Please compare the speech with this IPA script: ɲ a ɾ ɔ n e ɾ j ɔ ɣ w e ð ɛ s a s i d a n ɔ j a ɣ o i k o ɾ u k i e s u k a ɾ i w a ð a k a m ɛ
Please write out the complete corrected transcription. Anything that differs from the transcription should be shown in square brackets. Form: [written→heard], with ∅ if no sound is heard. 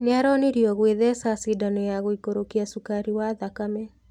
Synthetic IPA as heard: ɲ a ɾ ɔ n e ɾ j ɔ ɣ w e ð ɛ s a s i d a n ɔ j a ɣ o i k o ɾ [u→o] k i [e→a] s u k a ɾ i w a ð a k a m ɛ